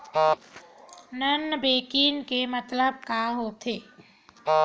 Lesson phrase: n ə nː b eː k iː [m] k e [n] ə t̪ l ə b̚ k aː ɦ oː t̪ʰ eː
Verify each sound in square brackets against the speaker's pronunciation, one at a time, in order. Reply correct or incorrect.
incorrect: n, incorrect: m

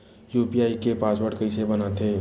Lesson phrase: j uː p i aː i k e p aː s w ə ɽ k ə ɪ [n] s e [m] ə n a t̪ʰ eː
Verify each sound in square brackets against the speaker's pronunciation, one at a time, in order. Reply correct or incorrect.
incorrect: none, incorrect: b

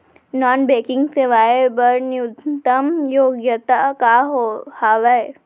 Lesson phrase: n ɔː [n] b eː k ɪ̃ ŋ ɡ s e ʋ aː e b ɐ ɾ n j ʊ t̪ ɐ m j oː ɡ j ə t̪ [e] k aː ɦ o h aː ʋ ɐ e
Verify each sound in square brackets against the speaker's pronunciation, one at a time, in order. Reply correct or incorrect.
correct, incorrect: a

